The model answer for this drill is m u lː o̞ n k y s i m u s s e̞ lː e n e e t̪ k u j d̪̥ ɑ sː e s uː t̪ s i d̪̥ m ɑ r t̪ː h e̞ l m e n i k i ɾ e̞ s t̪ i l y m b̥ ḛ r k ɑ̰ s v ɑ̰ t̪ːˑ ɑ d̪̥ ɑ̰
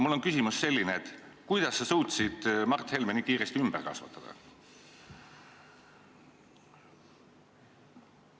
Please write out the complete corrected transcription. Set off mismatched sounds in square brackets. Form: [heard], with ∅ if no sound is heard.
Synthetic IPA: m u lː o̞ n k y s i m u s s e̞ lː [i] n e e t̪ k u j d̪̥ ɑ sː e s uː t̪ s i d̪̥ m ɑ r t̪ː h e̞ l m e n i k [iː] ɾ e̞ s t̪ i [∅] y m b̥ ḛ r k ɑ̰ s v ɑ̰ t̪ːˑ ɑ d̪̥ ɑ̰

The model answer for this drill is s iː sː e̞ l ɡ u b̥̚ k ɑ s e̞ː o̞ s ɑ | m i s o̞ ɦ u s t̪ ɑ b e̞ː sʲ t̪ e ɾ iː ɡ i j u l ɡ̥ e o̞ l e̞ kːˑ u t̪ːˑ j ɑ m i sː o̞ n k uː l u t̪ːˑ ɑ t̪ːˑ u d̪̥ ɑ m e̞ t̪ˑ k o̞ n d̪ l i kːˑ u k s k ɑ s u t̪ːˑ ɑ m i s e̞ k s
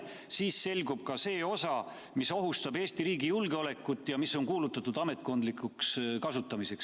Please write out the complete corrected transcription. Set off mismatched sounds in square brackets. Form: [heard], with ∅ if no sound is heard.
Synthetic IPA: s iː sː e̞ l ɡ u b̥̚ k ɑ s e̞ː o̞ s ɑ | m i s o̞ ɦ u s t̪ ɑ b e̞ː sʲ t̪ [i] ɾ iː ɡ i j u l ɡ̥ e o̞ l e̞ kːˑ u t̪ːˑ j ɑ m i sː o̞ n k uː l u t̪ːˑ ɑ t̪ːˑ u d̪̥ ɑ m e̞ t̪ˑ k o̞ n d̪ l i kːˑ u k s k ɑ s u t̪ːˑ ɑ m i s e̞ k s

